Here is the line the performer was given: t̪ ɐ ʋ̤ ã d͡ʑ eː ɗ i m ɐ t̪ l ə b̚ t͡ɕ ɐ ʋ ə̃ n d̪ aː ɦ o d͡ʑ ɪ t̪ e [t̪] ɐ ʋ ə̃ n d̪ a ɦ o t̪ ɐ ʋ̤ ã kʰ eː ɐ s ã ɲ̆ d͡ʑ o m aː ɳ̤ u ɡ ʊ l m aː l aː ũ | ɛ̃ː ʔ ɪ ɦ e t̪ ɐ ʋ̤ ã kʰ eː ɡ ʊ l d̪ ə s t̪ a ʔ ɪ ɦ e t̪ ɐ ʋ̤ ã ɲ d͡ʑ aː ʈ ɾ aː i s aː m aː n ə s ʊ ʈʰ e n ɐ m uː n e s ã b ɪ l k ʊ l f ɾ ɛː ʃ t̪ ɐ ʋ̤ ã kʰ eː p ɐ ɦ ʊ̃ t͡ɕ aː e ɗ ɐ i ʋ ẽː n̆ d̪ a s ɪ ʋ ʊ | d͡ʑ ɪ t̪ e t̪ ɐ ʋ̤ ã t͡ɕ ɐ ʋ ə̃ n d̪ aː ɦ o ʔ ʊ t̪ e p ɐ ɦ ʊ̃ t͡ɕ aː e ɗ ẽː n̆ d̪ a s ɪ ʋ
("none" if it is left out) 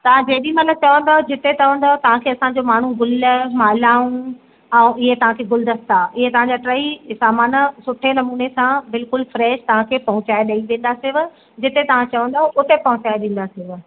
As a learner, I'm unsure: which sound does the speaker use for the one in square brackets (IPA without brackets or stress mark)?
t̪